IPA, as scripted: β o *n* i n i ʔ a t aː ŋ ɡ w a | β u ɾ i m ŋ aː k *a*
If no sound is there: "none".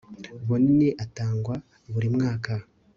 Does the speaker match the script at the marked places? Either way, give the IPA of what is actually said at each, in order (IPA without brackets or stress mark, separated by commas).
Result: n, a